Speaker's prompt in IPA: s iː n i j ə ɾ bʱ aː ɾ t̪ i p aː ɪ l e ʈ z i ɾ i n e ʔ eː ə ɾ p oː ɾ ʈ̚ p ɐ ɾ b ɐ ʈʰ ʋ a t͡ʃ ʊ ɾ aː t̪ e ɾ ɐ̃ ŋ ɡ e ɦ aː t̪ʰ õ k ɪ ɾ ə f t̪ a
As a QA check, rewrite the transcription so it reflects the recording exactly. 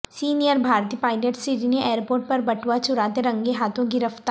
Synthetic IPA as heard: s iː n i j ə ɾ bʱ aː ɾ t̪ i p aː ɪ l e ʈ s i ɾ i n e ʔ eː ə ɾ p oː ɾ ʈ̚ p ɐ ɾ b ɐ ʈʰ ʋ a t͡ʃ ʊ ɾ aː t̪ e ɾ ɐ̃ ŋ ɡ e ɦ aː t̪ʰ õ ɡ ɪ ɾ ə f t̪ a